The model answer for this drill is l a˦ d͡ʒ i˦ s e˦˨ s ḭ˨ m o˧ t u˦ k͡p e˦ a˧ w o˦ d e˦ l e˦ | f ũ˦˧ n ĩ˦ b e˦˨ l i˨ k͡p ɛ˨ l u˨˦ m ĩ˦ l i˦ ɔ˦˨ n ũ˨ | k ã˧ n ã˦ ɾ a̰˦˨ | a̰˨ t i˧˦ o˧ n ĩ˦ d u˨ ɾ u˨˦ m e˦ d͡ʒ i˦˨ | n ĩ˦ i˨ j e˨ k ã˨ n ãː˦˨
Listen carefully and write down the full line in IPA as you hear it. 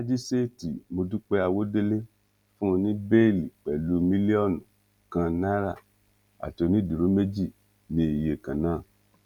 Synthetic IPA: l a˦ d͡ʒ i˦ s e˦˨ t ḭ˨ m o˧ d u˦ k͡p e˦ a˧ w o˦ d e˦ l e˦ | f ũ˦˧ n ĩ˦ b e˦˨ l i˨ k͡p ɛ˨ l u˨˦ m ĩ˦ l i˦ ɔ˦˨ n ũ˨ | k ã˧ n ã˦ ɾ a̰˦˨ | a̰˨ t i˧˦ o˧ n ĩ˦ d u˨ ɾ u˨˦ m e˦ d͡ʒ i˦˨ | n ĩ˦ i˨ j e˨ k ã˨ n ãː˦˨